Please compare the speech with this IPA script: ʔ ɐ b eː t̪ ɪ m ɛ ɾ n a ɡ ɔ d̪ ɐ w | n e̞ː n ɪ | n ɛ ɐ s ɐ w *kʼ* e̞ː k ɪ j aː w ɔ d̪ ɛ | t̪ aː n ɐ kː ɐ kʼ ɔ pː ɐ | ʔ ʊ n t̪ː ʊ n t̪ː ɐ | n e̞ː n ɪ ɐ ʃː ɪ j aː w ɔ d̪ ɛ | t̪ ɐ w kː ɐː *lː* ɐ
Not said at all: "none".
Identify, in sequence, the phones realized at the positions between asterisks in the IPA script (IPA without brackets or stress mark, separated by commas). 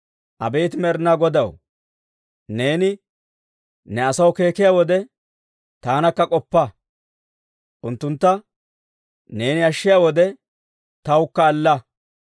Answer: k, lː